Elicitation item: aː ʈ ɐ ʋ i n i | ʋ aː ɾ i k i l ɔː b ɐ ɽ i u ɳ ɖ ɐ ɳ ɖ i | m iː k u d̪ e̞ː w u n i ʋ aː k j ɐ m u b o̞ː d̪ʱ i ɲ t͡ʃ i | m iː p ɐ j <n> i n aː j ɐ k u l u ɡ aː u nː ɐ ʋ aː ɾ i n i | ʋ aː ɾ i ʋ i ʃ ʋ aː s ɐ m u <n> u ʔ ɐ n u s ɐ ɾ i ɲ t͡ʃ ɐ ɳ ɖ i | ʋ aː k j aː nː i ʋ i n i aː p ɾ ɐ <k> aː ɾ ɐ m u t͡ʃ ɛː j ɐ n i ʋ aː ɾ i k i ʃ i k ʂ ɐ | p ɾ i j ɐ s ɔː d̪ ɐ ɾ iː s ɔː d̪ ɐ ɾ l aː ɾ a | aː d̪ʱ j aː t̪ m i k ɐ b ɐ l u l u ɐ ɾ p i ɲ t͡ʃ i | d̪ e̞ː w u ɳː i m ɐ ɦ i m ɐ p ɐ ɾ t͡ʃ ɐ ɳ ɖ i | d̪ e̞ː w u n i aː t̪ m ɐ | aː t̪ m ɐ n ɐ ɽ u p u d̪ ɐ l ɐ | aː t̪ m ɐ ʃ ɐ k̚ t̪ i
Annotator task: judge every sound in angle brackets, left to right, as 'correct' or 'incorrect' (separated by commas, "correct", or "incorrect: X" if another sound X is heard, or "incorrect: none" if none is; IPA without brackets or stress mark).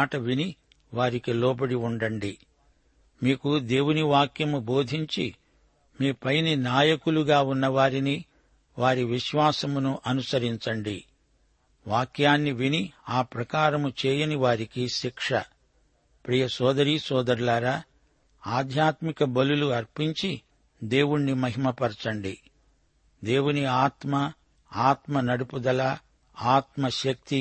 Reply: correct, correct, correct